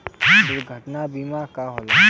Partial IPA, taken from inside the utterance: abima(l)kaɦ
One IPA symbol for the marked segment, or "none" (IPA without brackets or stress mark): none